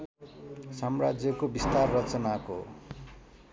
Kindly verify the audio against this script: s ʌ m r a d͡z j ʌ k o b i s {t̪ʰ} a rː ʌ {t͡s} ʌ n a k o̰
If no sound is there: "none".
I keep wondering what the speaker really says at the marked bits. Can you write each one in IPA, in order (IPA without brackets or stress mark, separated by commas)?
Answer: t̪, t͡s